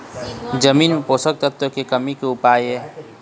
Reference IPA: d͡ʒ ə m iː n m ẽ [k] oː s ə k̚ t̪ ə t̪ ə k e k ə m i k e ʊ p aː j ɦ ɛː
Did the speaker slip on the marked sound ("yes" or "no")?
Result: yes